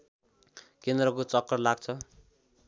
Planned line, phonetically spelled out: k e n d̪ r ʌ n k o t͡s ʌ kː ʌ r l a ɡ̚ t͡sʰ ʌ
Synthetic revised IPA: k e n d̪ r ʌ k o t͡s ʌ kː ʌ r l a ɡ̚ t͡sʰ ʌ